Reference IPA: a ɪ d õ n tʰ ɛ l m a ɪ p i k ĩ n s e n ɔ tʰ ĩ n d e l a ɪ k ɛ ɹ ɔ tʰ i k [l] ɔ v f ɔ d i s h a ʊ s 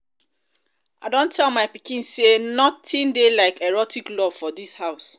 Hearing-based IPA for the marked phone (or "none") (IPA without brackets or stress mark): l